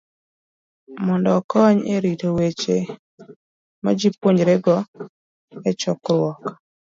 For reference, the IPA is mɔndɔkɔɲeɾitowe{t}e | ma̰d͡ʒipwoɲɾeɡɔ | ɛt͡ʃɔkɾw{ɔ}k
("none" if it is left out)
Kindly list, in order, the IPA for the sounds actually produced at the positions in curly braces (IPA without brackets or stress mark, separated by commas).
t͡ʃ, ɔ